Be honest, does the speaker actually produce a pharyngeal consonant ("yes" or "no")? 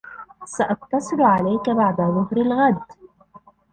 yes